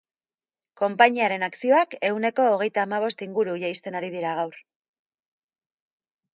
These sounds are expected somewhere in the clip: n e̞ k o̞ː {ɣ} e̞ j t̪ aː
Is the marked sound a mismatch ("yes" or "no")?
no